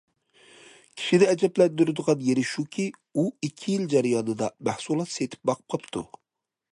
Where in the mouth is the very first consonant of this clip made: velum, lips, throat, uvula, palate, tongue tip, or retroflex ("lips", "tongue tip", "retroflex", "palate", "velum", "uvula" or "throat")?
velum